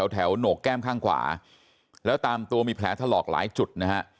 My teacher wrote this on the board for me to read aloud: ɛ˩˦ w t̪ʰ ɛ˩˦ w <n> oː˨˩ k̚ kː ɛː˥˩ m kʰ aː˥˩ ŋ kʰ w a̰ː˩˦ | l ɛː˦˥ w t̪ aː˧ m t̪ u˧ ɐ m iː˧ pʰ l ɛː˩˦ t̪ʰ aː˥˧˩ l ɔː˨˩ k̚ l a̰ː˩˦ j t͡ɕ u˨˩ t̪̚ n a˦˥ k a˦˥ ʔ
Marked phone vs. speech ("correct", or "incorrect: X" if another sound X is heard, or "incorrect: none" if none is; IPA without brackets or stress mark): correct